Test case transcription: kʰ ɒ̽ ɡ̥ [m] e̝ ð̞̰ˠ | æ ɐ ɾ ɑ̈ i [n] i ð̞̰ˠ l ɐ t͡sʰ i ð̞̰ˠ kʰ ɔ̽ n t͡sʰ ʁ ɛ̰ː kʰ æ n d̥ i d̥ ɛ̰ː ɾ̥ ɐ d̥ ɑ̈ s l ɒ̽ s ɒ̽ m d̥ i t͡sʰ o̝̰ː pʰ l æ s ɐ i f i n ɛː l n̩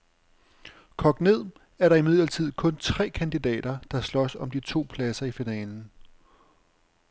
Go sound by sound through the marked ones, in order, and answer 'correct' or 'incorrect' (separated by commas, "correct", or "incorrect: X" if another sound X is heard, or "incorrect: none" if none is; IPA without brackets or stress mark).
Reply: incorrect: n, incorrect: m